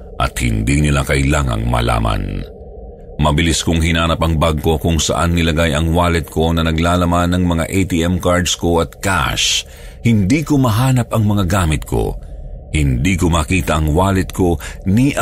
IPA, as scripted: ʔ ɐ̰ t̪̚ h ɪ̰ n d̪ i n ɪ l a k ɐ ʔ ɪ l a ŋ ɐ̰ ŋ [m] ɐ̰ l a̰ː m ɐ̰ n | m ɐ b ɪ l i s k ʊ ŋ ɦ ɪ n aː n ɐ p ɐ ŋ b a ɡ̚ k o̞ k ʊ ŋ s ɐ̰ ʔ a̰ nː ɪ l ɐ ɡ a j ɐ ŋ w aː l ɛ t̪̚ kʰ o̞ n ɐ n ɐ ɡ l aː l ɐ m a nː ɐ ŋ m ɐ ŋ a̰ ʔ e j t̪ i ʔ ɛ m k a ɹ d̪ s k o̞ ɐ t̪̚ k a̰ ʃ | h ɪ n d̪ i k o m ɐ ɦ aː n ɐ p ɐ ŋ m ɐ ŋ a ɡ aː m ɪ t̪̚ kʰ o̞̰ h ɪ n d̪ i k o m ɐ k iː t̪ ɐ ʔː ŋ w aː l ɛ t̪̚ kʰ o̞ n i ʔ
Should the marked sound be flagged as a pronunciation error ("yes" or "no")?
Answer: no